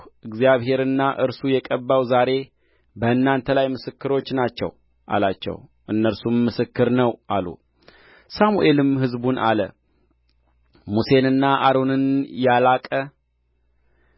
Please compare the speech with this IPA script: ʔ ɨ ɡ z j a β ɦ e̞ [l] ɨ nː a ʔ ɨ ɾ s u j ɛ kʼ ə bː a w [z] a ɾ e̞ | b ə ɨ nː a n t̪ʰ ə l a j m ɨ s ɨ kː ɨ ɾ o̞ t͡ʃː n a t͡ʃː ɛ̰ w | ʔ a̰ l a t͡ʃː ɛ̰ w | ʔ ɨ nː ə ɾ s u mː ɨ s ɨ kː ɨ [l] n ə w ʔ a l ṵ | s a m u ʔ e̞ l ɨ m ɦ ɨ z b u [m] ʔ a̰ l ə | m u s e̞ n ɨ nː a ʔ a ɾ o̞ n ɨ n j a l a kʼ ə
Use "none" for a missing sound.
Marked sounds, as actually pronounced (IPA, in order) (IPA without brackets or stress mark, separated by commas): ɾ, z, ɾ, n